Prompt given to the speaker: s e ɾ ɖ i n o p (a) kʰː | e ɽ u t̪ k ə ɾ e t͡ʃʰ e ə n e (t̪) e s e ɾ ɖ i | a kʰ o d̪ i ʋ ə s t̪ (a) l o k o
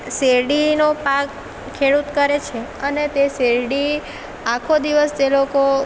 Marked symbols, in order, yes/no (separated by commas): yes, yes, no